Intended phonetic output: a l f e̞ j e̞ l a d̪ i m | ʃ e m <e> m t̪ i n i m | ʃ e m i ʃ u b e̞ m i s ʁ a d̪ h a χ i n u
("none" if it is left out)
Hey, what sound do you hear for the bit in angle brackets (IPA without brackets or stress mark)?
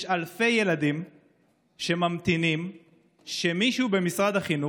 a